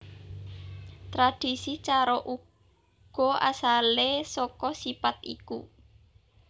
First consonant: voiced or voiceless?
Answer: voiceless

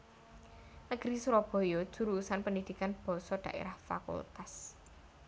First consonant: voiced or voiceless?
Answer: voiced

